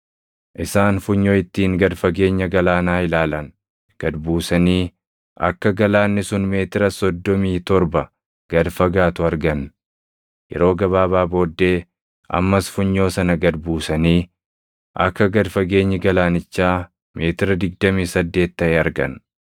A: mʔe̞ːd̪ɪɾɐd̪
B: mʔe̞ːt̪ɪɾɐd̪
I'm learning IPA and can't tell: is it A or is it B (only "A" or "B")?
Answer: B